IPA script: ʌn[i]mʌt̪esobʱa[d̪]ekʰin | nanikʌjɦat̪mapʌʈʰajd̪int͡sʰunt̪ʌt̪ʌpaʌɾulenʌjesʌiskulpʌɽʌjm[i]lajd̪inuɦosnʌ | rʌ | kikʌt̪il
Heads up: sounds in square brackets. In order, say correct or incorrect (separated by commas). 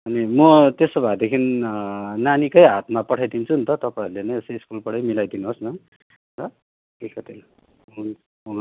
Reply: correct, correct, correct